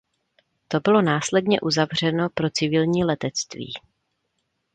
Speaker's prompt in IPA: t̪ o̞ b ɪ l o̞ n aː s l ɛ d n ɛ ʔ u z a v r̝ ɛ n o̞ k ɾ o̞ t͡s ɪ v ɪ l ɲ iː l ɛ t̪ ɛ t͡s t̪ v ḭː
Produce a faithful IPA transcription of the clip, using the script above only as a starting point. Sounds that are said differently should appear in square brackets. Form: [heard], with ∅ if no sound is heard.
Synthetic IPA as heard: t̪ o̞ b ɪ l o̞ n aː s l ɛ d [ɲ] ɛ ʔ u z a v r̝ ɛ n o̞ [p] ɾ o̞ t͡s ɪ v ɪ l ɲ iː l ɛ t̪ ɛ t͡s t̪ v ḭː